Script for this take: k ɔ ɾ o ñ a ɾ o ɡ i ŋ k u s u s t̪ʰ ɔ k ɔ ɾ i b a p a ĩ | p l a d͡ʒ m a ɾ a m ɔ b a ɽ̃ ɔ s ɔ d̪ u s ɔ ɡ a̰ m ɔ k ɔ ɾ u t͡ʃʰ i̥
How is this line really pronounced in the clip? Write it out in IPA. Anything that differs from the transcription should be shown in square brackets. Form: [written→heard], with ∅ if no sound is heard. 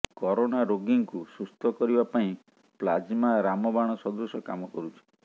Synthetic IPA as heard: k ɔ ɾ o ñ a ɾ o ɡ i ŋ k u s u s t̪ʰ ɔ k ɔ ɾ i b a p a ĩ | p l a d͡ʒ m a ɾ a m ɔ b a ɽ̃ ɔ s ɔ d̪ u s ɔ [ɡ→k] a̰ m ɔ k ɔ ɾ u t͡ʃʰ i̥